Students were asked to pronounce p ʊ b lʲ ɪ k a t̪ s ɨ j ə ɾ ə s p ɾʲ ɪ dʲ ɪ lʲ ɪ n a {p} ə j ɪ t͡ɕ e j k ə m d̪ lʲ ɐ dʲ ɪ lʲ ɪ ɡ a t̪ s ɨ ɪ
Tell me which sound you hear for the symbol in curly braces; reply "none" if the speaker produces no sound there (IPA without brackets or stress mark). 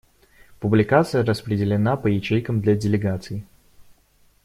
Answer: p